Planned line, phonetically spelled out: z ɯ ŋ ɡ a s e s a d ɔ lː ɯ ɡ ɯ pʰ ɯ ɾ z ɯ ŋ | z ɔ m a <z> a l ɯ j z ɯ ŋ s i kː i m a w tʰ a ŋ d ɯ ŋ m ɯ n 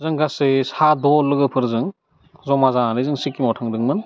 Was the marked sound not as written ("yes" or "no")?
no